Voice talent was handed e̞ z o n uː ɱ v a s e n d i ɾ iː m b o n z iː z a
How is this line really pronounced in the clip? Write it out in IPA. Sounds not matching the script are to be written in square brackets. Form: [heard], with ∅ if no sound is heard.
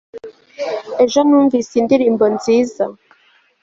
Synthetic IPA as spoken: e̞ [ʒ] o n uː ɱ v [i] s [i] n d i ɾ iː m b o n z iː z a